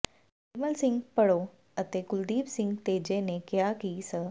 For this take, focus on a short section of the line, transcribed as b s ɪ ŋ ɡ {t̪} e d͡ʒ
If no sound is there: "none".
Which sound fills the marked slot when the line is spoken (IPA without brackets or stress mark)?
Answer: t̪